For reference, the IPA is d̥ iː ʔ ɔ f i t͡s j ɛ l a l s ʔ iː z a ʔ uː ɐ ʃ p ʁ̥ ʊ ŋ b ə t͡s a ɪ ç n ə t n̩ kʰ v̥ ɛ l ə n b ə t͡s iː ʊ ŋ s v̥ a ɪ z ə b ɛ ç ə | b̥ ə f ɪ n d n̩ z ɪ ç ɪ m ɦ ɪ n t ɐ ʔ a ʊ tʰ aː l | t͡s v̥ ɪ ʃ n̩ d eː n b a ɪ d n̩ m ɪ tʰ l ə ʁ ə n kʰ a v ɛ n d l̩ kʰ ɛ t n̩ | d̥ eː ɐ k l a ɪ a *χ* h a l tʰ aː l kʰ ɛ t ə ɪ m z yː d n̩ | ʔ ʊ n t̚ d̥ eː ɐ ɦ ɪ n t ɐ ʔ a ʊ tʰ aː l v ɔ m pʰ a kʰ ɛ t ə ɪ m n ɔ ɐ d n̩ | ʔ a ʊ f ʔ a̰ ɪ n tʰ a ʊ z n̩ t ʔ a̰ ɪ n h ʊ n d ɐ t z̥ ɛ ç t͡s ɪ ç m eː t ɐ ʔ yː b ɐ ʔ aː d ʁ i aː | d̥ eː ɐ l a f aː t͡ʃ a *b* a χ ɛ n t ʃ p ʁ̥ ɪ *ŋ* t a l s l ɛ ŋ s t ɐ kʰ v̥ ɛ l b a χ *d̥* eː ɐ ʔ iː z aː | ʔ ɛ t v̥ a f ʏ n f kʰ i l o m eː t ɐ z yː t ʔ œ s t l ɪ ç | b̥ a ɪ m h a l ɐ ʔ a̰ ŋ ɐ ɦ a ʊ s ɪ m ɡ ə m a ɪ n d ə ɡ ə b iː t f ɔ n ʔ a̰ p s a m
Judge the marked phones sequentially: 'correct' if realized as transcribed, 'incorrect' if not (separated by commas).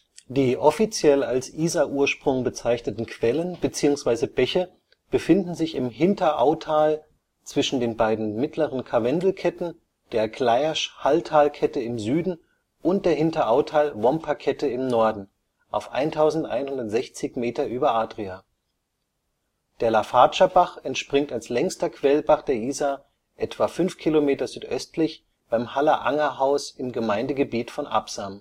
incorrect, correct, correct, correct